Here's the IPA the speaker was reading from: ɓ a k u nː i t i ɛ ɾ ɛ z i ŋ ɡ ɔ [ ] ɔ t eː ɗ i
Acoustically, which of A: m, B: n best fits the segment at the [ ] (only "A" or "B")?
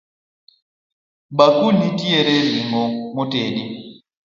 A